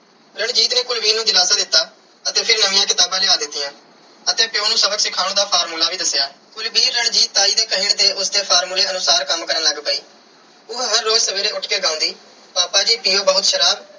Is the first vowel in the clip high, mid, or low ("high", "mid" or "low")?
mid